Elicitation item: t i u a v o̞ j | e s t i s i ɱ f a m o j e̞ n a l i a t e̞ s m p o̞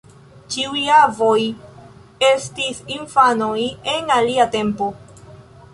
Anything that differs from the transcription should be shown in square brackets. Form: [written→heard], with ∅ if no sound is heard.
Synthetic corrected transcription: [t→t͡ʃ] i u a v o̞ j | e s t i s i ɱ f a [m→n] o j e̞ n a l i a t e̞ [s→∅] m p o̞

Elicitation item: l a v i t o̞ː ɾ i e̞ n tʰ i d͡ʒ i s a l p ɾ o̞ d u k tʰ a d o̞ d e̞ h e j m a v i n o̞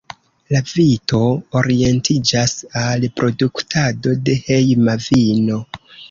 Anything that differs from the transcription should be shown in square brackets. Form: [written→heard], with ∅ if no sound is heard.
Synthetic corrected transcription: l a v i t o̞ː ɾ i e̞ n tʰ i d͡ʒ [i→a] s a l p ɾ o̞ d u k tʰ a d o̞ d e̞ h e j m a v i n o̞

